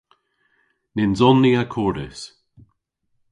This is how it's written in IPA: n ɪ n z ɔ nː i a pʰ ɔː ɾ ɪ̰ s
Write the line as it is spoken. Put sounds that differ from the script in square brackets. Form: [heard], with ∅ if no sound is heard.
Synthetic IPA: n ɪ n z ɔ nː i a [kʰ] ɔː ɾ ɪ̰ s